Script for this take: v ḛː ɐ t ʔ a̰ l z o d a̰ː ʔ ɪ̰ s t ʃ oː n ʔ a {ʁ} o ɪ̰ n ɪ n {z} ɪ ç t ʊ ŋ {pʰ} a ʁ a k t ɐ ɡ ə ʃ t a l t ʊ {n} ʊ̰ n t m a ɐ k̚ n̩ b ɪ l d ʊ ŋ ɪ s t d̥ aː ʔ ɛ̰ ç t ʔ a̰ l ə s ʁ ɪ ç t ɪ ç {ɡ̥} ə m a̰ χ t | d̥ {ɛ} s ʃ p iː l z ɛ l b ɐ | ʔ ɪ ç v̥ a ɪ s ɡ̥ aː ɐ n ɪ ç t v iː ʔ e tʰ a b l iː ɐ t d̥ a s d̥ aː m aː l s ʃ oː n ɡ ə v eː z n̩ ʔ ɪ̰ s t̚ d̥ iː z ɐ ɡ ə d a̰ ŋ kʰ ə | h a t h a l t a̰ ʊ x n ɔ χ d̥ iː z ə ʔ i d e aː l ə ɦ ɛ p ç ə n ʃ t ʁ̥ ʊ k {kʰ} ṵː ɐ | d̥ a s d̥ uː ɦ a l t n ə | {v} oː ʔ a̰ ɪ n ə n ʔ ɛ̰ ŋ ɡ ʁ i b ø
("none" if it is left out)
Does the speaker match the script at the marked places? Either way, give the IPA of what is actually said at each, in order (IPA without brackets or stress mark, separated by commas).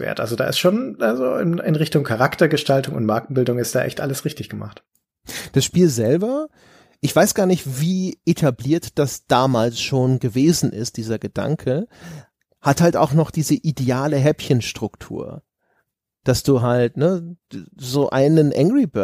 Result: z, ʁ, kʰ, ŋ, ɡ̥, a, tʰ, z